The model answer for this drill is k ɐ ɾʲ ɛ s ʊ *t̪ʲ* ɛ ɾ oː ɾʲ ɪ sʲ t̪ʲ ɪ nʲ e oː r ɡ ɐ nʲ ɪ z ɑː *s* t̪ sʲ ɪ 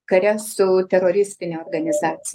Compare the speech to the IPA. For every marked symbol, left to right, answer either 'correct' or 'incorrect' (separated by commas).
correct, incorrect